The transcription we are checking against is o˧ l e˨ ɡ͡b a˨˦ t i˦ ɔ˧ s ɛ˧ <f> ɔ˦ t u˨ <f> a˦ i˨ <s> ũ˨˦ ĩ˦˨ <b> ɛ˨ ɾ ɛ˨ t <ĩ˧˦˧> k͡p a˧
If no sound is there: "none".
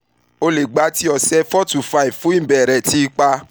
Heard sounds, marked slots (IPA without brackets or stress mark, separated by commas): f, f, f, b, i˧˦˧